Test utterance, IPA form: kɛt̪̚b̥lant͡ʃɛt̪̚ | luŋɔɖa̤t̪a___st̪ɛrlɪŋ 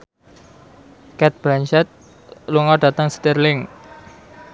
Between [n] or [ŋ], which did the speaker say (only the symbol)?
ŋ